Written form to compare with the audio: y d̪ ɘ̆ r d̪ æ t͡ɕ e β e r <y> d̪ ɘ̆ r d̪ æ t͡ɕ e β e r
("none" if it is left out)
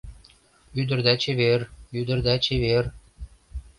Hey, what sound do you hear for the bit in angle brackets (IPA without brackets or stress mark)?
y